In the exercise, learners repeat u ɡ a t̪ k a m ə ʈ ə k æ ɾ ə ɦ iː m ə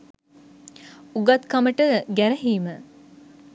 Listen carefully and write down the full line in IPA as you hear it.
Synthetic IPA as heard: u ɡ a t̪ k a m ə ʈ ə ɡ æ ɾ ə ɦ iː m ə